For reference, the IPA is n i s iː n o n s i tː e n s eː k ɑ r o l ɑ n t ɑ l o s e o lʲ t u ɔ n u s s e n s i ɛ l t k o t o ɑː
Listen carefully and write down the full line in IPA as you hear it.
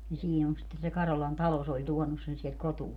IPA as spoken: n i s iː n o n s i tː e n s e k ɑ r o l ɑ n t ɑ l o s e o lʲ t u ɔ n u s s e n s i ɛ l t k o t u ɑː